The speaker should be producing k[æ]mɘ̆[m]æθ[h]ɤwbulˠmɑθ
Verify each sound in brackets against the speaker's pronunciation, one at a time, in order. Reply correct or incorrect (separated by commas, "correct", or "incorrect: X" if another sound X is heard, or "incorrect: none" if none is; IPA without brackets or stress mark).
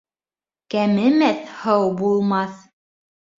correct, correct, correct